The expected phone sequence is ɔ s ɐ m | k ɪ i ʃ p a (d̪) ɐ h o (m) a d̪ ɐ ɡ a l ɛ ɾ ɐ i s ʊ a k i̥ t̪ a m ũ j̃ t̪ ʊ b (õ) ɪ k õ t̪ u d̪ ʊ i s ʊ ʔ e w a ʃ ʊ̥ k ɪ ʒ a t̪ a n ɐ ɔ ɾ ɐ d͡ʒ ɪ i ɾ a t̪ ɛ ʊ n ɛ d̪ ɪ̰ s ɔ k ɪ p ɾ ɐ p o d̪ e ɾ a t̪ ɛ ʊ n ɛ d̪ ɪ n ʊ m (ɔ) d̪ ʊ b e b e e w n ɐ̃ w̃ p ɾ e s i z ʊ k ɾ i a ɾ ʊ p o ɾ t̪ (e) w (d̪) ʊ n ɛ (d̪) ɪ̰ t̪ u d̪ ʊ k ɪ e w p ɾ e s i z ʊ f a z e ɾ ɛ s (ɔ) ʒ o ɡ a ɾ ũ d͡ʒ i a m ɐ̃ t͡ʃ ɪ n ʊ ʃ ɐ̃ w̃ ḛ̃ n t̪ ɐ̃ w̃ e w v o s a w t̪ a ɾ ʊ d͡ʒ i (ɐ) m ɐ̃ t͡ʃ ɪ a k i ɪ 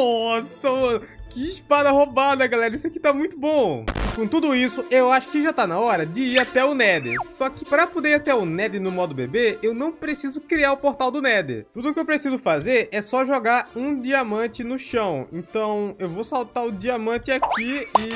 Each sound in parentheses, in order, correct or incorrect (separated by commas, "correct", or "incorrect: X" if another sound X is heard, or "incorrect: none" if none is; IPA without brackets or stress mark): correct, incorrect: b, correct, correct, incorrect: a, correct, correct, correct, incorrect: a